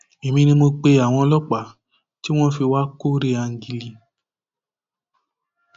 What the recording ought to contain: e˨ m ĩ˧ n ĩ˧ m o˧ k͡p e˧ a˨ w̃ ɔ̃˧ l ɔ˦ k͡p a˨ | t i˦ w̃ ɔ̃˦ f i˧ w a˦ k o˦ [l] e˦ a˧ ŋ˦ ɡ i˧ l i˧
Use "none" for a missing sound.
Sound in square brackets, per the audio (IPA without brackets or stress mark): ɾ